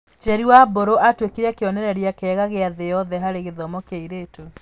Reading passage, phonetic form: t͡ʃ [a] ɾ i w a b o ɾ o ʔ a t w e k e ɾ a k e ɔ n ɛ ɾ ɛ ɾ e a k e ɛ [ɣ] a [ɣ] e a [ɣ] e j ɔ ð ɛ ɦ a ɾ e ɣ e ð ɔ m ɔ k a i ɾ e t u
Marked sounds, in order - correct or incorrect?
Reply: incorrect: ɛ, correct, correct, incorrect: ð

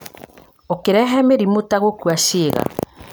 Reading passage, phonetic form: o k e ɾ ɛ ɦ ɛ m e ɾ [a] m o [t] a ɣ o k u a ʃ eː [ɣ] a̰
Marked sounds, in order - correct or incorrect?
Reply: incorrect: i, correct, correct

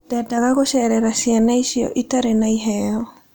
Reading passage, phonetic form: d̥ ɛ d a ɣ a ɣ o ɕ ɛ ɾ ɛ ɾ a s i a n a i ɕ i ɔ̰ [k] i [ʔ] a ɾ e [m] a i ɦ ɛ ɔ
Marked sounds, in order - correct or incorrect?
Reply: incorrect: ʔ, incorrect: t, incorrect: n

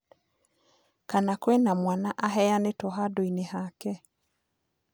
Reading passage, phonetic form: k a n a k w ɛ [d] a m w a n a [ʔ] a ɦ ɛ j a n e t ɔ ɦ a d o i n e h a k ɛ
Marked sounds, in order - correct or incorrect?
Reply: incorrect: n, correct

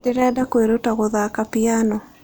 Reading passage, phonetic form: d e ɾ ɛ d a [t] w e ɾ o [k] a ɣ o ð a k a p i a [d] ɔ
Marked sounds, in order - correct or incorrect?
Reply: incorrect: k, incorrect: t, incorrect: n

